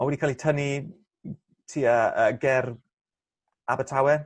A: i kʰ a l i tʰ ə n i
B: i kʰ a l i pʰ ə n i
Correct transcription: A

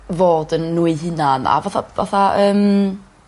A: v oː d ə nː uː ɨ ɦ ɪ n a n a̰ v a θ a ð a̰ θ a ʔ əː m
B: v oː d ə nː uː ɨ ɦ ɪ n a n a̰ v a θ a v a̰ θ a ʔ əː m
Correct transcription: B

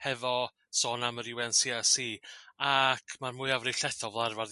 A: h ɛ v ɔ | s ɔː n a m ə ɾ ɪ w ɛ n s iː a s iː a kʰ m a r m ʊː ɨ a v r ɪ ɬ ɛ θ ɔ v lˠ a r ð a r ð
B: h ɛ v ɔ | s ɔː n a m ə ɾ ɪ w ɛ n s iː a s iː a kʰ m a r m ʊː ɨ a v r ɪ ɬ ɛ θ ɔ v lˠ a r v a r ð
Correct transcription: B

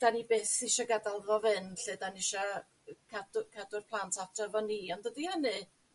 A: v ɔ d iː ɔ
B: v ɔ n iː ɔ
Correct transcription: B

